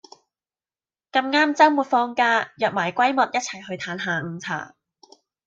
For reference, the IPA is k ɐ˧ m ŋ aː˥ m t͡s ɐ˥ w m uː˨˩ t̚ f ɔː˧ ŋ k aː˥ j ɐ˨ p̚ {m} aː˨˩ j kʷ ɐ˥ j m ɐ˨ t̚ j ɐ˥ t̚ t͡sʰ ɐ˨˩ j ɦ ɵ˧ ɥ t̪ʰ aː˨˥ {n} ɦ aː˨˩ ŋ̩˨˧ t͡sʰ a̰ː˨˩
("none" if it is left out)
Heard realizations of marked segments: m, n

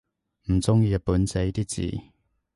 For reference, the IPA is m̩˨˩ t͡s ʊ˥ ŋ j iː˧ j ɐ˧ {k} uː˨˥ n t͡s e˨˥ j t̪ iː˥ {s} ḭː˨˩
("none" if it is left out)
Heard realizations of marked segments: p, t͡s

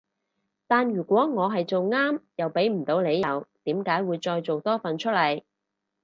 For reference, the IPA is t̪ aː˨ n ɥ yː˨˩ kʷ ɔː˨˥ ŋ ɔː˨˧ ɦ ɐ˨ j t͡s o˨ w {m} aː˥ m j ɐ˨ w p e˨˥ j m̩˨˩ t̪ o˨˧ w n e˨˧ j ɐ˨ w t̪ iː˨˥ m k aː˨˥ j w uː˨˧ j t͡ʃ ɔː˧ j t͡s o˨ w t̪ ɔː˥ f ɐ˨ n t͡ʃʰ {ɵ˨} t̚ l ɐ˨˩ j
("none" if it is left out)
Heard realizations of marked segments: ŋ, ɵ˥

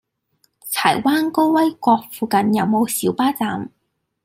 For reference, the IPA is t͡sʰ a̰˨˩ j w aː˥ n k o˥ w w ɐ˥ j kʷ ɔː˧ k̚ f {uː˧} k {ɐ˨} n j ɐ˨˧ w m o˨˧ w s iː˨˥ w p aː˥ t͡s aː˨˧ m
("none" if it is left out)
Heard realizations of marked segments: uː˧, ɐ˨

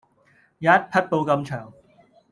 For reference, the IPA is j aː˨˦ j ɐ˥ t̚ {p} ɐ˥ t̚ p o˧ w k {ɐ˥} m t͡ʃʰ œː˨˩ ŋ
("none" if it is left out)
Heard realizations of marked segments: pʰ, ɐ˧

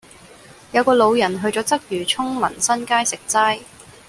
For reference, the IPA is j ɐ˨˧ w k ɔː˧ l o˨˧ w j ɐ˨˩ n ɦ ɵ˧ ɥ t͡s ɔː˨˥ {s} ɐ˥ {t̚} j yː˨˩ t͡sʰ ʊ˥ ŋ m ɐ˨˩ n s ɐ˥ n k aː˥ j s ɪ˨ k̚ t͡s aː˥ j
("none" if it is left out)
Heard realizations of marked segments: t͡s, k̚

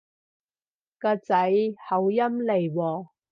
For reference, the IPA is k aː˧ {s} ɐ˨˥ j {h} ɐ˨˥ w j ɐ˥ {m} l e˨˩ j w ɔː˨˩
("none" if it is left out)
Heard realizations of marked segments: t͡s, h, m

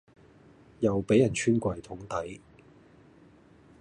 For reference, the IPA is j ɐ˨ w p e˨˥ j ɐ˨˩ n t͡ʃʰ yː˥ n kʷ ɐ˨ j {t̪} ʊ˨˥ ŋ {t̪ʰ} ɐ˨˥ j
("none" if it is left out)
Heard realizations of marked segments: t̪ʰ, t̪

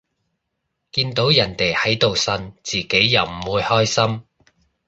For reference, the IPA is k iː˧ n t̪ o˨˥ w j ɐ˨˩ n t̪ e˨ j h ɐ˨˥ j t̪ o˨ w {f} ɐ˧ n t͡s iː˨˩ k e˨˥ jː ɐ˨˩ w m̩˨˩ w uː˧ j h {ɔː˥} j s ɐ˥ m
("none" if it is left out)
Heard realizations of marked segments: s, ɔː˥

